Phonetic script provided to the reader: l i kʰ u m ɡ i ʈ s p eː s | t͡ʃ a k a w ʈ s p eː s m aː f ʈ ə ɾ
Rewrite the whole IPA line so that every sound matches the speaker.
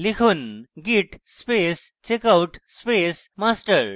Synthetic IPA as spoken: l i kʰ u n ɡ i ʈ s p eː s | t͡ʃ e k a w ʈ s p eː s m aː s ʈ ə ɾ